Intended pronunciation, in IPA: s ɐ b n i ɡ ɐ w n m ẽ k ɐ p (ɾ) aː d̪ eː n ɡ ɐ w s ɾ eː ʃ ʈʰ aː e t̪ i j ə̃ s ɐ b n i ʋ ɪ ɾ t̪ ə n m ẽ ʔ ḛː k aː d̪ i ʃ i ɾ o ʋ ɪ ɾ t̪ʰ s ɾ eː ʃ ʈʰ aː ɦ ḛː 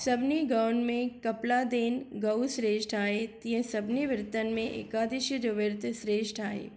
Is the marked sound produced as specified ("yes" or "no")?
no